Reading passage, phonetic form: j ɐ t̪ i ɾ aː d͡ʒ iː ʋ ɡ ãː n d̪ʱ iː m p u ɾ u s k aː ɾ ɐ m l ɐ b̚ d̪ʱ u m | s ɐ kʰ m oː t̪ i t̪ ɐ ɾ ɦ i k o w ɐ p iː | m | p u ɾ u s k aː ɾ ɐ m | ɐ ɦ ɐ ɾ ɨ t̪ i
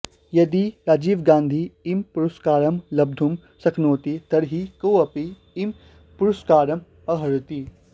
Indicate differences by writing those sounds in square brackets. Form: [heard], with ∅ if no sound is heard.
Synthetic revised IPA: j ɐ [d̪] i ɾ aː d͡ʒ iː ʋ ɡ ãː n d̪ʱ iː m p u ɾ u s k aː ɾ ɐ m l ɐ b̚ d̪ʱ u m | s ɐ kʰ [n] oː t̪ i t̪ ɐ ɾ ɦ i k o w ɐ p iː | m | p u ɾ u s k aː ɾ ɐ m | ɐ ɦ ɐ ɾ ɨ t̪ i